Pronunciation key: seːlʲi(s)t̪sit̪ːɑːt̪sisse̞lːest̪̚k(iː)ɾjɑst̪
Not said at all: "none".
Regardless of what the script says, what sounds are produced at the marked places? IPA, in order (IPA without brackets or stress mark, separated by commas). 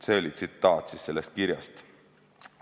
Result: none, i